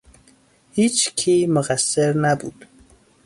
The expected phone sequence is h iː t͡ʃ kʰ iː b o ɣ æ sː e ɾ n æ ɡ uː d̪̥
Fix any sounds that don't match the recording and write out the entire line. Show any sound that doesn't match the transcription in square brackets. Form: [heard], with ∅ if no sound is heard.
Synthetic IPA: h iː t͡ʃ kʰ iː [m] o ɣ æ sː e ɾ n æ [b] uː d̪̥